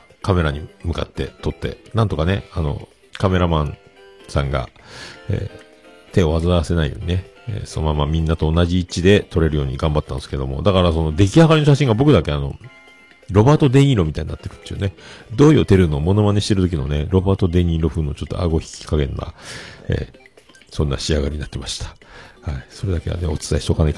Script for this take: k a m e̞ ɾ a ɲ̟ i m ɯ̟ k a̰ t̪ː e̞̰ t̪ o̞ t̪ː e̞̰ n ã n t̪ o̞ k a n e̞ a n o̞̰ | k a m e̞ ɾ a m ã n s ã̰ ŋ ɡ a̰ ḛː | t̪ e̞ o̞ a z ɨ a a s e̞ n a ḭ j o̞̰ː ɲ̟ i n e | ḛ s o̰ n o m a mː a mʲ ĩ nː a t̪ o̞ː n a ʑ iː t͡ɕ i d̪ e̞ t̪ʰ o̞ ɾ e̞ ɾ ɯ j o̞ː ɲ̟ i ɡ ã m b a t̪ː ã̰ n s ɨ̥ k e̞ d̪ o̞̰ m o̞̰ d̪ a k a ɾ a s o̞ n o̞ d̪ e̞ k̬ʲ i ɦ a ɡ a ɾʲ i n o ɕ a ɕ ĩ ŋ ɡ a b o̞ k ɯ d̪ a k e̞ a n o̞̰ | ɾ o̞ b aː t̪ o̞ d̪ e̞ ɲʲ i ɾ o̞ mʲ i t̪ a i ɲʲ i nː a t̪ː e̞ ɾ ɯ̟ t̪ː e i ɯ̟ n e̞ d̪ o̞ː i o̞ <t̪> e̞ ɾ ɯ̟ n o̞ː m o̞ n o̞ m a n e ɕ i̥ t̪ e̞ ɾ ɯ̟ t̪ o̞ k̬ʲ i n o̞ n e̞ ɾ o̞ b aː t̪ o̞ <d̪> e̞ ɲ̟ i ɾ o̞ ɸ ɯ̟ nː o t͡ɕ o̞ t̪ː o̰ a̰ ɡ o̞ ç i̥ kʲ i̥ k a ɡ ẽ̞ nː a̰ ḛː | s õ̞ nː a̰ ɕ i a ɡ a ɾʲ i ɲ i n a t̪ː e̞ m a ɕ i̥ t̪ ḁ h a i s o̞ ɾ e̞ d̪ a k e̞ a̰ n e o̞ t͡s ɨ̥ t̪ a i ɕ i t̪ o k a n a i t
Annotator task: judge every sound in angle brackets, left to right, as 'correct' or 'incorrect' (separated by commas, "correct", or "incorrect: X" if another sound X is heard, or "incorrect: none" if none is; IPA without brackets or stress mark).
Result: correct, correct